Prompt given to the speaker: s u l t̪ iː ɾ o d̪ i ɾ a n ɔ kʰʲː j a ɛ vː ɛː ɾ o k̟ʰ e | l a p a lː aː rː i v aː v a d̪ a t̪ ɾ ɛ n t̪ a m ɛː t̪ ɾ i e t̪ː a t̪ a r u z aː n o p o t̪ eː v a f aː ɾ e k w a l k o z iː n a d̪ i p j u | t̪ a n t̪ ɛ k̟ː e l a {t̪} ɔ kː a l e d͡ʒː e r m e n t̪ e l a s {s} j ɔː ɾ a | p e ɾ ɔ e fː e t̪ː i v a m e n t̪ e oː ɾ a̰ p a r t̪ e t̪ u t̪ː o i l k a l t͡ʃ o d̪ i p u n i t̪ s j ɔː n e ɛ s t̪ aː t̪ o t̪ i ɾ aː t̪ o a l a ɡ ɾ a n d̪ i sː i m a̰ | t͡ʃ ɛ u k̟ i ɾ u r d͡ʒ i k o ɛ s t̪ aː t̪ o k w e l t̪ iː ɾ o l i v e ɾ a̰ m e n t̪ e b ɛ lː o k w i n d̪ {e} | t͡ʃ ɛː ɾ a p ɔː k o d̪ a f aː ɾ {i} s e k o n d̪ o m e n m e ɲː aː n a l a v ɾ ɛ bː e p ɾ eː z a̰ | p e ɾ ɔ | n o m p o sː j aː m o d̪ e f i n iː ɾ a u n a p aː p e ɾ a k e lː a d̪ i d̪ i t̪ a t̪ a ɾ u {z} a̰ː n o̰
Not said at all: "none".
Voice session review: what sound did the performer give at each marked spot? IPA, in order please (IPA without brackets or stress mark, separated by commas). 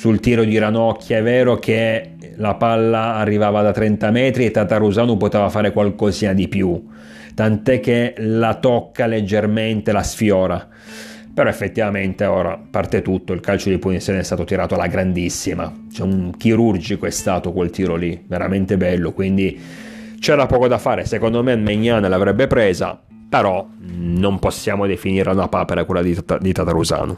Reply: t̪, f, i, e, z